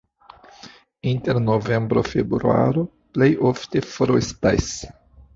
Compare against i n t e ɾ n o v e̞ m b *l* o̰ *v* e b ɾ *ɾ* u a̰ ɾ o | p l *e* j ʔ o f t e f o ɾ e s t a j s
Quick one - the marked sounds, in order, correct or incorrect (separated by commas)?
incorrect, incorrect, correct, correct